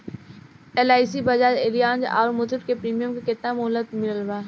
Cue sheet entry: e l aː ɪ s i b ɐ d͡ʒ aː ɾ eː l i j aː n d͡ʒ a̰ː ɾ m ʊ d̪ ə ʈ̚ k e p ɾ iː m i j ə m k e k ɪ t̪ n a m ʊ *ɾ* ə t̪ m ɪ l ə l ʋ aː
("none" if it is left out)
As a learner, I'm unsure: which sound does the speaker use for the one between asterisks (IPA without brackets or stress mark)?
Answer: l